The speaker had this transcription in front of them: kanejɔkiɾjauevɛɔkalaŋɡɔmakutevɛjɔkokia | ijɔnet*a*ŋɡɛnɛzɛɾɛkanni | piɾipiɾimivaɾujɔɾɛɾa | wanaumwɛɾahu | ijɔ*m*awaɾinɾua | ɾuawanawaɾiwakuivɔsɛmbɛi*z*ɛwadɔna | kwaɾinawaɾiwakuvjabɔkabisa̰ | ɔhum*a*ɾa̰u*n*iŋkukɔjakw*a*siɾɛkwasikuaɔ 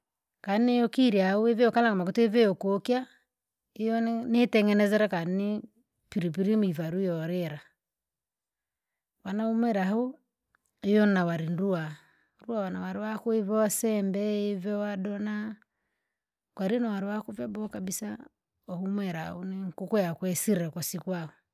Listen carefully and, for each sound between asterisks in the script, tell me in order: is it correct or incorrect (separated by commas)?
incorrect, incorrect, incorrect, incorrect, correct, incorrect